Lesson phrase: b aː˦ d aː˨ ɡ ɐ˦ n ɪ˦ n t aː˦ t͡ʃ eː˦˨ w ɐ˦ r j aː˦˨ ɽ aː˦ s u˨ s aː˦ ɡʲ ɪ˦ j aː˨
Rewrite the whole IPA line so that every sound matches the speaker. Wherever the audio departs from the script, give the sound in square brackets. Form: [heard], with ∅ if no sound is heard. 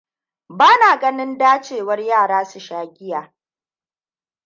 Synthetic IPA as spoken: b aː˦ [n] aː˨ ɡ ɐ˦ n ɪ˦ n [d] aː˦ t͡ʃ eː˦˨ w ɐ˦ r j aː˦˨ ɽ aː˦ s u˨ [ʃ] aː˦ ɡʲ ɪ˦ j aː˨